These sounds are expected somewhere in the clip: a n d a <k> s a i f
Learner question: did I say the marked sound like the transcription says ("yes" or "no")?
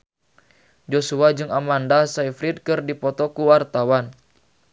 no